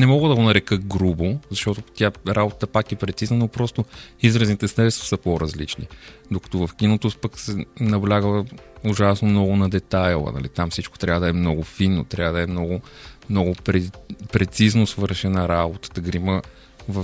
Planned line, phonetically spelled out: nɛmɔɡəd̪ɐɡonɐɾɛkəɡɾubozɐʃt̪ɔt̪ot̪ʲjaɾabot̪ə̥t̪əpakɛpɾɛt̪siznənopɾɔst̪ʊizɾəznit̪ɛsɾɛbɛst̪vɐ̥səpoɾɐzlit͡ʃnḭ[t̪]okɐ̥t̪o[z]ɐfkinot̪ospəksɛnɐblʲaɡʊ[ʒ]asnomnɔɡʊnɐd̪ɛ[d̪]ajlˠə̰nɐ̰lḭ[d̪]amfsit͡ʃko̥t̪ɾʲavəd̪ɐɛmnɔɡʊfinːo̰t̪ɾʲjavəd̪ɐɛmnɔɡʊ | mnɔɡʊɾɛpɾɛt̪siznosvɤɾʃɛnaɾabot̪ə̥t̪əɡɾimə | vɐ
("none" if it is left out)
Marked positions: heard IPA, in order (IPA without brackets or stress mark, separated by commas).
d̪, v, ʒ, t̪, t̪